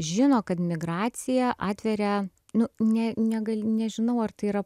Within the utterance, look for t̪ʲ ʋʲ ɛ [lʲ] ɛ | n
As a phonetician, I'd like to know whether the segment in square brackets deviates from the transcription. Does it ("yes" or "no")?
yes